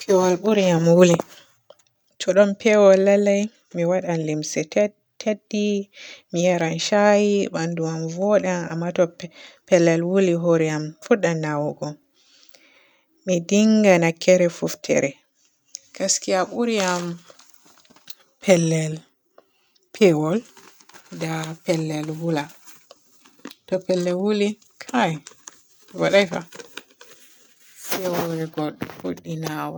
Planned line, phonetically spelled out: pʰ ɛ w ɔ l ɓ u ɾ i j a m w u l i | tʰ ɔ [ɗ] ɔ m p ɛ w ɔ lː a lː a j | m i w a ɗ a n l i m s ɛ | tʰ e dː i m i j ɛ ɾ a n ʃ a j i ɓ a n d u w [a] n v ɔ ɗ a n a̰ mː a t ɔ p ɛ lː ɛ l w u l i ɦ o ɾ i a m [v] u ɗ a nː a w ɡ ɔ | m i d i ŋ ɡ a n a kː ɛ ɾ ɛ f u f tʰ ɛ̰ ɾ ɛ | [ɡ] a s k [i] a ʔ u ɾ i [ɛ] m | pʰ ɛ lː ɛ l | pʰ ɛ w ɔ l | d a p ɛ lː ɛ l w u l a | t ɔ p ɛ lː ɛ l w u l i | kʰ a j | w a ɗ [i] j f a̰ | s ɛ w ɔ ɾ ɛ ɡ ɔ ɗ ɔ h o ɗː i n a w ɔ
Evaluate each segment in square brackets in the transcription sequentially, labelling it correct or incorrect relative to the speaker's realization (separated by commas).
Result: correct, correct, incorrect, incorrect, correct, incorrect, incorrect